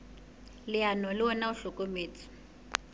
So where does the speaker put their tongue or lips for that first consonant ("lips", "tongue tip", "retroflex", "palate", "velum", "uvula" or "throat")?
tongue tip